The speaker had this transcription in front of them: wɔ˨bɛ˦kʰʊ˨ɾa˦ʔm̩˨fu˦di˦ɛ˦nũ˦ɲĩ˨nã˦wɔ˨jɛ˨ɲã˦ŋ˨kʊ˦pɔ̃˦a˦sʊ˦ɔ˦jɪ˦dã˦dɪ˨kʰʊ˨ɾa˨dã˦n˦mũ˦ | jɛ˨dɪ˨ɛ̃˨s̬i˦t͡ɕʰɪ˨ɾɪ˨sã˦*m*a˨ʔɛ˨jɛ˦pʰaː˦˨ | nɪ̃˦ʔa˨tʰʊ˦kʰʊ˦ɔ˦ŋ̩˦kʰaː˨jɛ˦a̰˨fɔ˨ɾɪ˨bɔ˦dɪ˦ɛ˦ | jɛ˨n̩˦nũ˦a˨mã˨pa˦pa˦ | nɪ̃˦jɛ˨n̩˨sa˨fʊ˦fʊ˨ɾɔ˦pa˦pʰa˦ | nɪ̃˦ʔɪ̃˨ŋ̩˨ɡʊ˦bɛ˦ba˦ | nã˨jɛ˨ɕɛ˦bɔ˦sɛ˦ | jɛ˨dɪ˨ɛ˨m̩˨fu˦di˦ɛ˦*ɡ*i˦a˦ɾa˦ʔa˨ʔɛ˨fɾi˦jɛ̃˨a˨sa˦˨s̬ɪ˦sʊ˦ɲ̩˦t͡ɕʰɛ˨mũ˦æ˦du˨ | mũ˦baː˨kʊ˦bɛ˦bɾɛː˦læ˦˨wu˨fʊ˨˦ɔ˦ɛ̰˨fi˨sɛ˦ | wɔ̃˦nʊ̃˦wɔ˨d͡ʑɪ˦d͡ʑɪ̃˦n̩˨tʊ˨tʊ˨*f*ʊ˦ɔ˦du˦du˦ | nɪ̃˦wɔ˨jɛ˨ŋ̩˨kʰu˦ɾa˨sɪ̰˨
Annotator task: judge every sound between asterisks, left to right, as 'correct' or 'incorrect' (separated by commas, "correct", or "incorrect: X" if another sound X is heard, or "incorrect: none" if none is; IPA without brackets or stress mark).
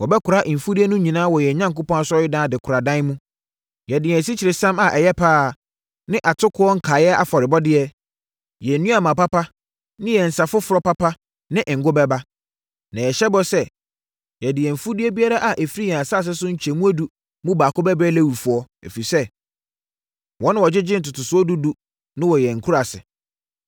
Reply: correct, incorrect: b, incorrect: s